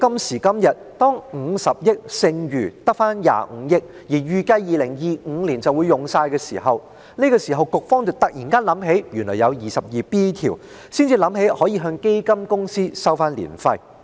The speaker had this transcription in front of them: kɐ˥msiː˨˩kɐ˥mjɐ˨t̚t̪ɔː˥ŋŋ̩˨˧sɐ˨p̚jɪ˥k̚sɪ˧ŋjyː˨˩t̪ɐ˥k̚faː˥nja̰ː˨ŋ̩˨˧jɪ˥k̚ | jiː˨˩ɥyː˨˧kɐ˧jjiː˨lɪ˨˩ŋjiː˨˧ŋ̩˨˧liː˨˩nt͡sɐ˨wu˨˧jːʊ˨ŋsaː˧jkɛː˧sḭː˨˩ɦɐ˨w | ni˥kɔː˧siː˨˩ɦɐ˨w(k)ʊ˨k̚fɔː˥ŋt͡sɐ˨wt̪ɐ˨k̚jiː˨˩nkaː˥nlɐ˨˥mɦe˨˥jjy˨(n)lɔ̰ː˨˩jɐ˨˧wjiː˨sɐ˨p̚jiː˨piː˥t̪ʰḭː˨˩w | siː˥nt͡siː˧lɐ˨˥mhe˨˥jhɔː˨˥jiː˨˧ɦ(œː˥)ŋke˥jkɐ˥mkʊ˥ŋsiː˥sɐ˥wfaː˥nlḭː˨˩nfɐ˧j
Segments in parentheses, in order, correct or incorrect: correct, correct, incorrect: œː˧

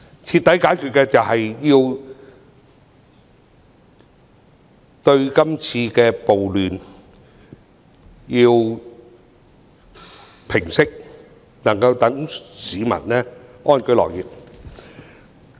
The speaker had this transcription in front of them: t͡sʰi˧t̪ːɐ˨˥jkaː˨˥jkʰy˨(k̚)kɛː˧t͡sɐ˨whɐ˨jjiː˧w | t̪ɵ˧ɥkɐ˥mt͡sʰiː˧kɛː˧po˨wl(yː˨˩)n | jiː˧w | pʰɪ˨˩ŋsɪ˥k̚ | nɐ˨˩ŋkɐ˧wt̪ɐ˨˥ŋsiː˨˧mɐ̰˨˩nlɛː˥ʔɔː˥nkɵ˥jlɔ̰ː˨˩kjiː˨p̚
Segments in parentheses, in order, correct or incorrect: incorrect: t̚, correct

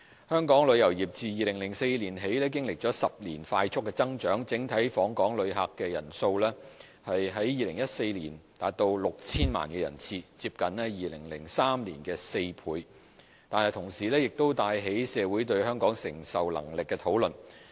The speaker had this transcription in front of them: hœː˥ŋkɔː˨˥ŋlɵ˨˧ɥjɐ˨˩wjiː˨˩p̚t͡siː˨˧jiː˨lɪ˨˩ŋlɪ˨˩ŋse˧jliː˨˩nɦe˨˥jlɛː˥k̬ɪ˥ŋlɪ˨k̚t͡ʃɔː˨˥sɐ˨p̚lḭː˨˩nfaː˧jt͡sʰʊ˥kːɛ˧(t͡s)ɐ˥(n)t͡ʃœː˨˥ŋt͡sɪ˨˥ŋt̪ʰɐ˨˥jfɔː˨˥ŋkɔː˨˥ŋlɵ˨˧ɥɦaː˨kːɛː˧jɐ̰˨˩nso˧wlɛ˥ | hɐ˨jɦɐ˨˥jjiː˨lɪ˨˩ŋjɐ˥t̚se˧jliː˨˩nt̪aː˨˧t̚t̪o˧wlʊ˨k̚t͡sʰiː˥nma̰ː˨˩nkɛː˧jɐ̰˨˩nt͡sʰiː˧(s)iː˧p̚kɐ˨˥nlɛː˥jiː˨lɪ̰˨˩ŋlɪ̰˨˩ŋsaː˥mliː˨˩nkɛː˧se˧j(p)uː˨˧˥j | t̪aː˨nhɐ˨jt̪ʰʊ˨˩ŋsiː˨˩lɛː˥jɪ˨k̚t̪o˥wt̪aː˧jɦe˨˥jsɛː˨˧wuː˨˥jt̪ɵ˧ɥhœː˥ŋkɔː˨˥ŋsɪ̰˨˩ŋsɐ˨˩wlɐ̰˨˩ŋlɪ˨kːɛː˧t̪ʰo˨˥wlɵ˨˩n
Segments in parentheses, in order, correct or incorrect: correct, incorrect: ŋ, incorrect: t͡s, incorrect: pʰ

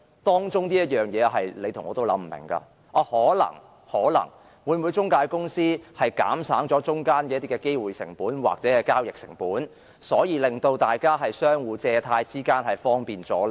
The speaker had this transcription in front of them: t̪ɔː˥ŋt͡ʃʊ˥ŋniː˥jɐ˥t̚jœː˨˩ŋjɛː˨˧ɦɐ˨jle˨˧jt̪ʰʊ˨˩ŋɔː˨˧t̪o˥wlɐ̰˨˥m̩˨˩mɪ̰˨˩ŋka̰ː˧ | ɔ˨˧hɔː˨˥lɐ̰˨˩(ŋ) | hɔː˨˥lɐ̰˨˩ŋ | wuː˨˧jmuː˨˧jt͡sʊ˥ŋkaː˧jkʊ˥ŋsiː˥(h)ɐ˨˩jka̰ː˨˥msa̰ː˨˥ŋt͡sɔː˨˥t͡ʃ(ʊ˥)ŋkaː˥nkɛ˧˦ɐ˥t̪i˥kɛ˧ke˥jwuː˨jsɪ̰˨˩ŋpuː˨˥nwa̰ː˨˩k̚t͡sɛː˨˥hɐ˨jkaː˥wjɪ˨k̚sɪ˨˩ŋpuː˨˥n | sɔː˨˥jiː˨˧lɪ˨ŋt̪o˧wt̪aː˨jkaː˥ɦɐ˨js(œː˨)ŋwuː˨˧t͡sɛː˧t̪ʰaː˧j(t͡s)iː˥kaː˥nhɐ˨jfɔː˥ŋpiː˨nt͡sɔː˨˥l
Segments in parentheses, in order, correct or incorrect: correct, correct, correct, incorrect: œː˥, correct

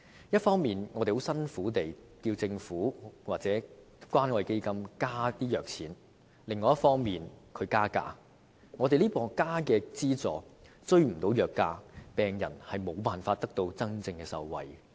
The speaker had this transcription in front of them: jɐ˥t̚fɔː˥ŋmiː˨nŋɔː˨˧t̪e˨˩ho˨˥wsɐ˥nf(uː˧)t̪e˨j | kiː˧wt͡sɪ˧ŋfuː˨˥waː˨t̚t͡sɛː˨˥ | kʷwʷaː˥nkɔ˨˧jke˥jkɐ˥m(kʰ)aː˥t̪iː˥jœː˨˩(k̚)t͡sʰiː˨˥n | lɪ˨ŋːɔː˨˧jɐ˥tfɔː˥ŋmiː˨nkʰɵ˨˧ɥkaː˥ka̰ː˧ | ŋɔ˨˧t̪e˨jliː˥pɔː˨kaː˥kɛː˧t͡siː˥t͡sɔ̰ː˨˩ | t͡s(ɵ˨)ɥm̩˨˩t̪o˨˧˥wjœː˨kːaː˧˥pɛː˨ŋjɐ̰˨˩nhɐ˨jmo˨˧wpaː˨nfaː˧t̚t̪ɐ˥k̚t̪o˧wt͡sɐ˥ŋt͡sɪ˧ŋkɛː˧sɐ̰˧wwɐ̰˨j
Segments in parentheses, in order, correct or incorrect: incorrect: uː˨˥, incorrect: k, correct, incorrect: ɵ˥

